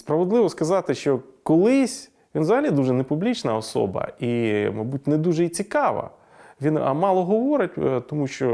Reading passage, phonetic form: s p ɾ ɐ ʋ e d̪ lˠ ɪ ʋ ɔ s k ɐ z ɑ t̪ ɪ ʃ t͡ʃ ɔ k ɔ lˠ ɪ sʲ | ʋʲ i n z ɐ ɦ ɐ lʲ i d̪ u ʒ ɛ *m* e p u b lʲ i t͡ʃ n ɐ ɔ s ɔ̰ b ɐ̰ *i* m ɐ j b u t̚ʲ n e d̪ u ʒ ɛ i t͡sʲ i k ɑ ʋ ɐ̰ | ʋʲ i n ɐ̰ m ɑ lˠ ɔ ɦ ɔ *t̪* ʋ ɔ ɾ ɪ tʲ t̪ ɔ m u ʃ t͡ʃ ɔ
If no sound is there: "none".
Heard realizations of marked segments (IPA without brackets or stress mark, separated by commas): n, i, none